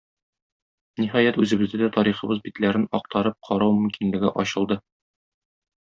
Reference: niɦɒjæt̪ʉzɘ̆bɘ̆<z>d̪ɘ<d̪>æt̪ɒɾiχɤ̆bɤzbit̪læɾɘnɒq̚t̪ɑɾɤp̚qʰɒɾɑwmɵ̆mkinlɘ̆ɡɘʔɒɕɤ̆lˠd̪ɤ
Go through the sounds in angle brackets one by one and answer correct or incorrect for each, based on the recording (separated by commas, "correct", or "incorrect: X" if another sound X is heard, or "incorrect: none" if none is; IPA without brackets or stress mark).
correct, correct